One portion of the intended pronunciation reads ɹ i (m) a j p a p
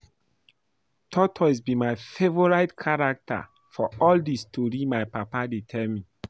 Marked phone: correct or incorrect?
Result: correct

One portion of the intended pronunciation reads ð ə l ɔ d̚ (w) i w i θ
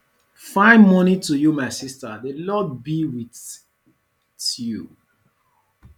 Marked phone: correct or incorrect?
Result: incorrect: b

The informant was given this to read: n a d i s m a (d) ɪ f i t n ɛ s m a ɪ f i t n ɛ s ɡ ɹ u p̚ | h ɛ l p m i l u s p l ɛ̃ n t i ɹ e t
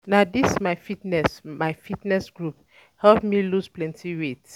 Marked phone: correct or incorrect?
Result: incorrect: none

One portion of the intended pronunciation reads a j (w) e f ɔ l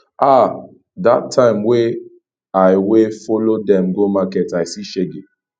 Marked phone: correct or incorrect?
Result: correct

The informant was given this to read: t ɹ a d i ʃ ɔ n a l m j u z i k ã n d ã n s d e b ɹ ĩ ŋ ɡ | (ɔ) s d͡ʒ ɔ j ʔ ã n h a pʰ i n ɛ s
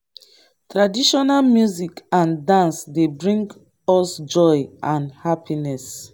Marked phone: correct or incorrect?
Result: correct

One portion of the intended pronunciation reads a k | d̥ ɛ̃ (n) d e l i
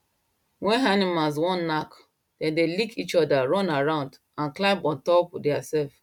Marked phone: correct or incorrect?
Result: correct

